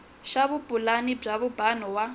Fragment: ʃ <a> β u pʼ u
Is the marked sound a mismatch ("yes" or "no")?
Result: no